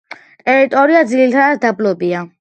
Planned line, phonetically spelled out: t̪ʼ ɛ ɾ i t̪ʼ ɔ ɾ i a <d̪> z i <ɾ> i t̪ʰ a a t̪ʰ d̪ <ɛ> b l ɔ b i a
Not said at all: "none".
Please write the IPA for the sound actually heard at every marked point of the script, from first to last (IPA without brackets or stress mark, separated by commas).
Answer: d̪, l, a